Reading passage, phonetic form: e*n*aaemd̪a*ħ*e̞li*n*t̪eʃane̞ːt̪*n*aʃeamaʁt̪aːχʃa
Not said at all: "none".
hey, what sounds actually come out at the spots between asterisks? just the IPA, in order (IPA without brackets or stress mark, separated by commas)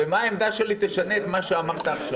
m, ʃ, none, m